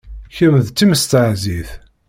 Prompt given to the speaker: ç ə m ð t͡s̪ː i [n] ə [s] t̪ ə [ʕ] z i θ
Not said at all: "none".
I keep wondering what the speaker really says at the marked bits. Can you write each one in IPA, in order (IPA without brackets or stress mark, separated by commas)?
m, s, ʕ